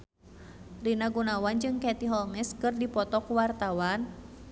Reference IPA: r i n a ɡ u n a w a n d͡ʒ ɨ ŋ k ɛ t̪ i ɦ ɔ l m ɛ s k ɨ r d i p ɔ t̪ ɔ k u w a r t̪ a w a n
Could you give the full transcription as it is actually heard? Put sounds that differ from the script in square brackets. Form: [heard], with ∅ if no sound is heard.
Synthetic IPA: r i n a ɡ u n a w a n d͡ʒ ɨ ŋ k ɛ t̪ i ɦ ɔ l m ɛ s k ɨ r d i p ɔ t̪ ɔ k u w a r t̪ a w a n